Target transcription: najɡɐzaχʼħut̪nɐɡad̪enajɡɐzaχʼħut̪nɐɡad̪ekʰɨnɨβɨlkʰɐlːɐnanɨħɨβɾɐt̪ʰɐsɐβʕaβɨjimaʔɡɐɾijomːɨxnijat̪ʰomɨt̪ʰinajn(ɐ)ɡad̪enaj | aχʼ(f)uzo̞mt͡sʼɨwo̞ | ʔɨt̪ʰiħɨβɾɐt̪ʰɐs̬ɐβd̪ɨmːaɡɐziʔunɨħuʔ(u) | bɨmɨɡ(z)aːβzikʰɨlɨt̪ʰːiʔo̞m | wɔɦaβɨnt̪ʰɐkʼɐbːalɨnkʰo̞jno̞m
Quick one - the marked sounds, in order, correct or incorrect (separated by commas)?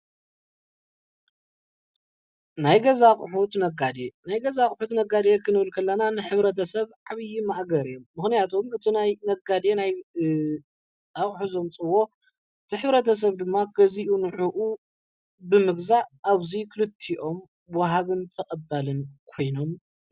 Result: correct, incorrect, correct, correct